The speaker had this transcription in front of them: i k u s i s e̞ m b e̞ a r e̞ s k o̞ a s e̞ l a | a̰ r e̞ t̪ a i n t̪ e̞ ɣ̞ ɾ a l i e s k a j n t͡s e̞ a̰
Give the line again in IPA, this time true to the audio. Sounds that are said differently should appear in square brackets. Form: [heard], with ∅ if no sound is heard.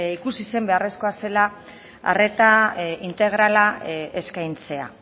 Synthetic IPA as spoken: i k u s i s e̞ m b e̞ a r e̞ s k o̞ a s e̞ l a | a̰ r e̞ t̪ a i n t̪ e̞ ɣ̞ ɾ a l [a] e s k a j n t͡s e̞ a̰